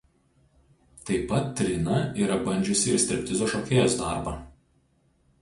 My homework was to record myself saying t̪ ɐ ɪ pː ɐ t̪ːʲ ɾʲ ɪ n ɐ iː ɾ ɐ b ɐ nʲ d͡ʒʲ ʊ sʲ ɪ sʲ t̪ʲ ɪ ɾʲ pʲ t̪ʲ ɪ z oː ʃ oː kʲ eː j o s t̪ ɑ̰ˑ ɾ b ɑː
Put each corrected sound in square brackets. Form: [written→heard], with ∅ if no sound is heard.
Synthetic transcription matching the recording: t̪ ɐ ɪ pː ɐ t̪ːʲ ɾʲ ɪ n ɐ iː ɾ ɐ b ɐ nʲ d͡ʒʲ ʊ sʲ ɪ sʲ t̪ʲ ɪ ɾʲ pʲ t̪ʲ ɪ z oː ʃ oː kʲ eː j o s [t̪→d̪] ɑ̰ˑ ɾ b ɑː